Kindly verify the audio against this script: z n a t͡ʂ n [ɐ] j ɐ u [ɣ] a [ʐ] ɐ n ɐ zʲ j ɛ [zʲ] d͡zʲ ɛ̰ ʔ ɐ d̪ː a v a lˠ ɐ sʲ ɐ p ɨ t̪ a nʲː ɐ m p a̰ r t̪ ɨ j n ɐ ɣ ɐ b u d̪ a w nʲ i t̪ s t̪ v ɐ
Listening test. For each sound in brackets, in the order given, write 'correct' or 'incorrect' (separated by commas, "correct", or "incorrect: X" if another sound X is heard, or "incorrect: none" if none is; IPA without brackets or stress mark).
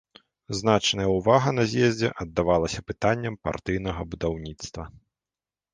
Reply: correct, incorrect: v, incorrect: ɣ, correct